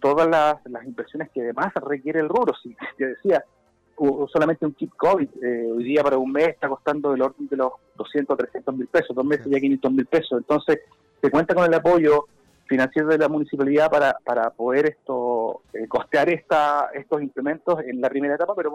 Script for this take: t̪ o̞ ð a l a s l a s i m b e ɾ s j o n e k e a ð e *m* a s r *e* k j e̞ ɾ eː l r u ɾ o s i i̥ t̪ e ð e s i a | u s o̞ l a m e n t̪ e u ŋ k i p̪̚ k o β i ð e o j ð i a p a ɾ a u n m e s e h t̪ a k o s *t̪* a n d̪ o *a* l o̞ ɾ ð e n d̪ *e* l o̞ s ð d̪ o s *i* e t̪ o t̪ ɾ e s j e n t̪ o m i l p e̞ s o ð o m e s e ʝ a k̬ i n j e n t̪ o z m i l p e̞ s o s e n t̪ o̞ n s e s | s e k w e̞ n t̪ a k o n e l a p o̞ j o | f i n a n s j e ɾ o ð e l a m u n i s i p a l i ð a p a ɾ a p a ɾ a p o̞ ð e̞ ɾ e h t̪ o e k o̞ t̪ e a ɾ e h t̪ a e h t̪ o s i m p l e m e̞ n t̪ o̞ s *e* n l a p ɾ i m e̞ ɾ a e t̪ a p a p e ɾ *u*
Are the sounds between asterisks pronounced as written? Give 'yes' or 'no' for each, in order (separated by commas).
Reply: yes, yes, yes, no, yes, no, yes, no